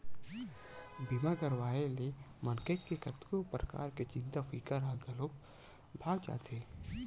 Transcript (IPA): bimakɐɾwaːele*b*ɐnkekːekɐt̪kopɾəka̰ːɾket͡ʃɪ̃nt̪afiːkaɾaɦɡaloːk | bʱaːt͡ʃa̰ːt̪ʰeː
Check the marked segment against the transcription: incorrect: m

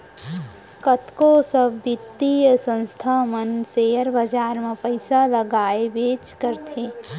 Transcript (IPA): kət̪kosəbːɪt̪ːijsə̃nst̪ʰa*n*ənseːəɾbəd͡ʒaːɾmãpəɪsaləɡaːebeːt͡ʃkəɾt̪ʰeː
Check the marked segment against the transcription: incorrect: m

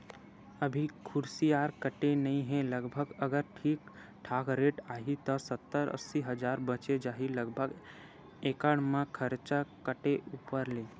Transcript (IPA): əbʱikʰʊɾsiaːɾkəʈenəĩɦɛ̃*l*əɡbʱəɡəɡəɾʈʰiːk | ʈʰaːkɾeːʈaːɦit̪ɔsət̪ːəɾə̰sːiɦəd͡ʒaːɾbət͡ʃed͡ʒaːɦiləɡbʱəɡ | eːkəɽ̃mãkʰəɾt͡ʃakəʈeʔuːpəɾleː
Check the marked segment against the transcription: correct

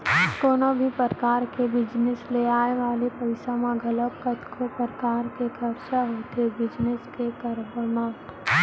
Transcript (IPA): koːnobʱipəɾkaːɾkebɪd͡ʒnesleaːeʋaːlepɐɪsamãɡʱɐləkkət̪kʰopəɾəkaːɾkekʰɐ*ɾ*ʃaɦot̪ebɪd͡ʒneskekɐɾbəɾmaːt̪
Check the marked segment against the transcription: correct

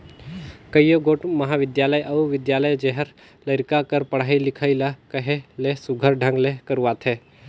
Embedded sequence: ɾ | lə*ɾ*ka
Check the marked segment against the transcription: correct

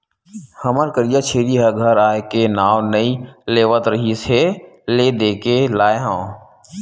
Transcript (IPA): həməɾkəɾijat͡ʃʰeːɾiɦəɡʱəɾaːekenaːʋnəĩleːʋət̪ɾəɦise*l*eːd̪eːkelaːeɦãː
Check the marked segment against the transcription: correct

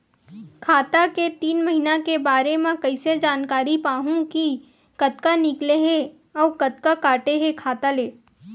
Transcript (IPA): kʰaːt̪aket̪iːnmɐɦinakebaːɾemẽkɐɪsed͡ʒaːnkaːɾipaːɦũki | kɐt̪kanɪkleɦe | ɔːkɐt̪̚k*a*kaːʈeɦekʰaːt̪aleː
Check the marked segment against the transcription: correct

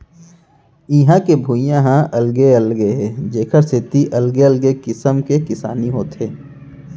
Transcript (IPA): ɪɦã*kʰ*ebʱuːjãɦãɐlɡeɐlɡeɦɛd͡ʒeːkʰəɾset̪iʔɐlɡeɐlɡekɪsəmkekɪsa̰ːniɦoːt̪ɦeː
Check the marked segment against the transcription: incorrect: k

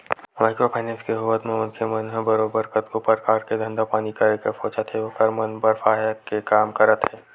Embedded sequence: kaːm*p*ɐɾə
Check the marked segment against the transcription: incorrect: k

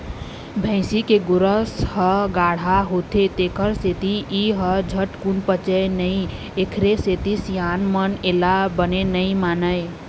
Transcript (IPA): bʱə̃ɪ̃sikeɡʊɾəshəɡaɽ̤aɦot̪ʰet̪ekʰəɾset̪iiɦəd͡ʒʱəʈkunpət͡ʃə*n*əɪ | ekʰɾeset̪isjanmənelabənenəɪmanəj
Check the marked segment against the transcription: correct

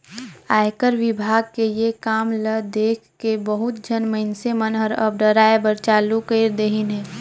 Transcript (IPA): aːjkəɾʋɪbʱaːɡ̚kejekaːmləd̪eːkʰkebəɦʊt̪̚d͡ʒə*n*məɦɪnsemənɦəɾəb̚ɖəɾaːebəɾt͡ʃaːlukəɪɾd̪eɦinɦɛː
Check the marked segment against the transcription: correct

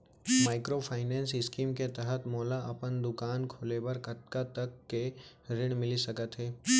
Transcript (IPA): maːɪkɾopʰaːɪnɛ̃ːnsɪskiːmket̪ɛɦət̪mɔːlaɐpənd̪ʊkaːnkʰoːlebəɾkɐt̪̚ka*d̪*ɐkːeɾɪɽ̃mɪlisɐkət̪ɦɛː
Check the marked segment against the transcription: incorrect: t̪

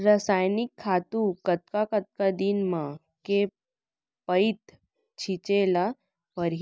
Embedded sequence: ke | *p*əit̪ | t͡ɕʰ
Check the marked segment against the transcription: correct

